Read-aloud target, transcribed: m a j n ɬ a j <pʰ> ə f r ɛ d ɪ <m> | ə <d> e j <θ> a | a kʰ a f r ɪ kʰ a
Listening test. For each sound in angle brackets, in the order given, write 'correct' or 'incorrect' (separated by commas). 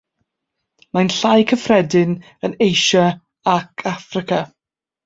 incorrect, incorrect, incorrect, incorrect